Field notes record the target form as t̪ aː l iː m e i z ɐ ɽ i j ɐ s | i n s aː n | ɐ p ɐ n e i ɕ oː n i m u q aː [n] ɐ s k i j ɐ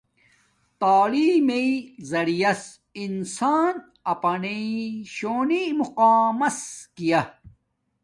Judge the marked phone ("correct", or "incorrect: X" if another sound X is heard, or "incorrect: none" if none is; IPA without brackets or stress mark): incorrect: m